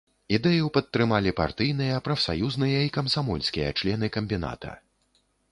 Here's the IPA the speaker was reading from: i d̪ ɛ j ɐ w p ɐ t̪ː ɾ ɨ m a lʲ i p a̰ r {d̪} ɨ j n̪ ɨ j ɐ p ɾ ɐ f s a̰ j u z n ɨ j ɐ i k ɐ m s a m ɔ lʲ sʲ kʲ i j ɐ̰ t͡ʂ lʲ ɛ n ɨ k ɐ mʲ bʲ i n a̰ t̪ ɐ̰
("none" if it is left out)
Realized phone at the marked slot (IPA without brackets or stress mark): t̪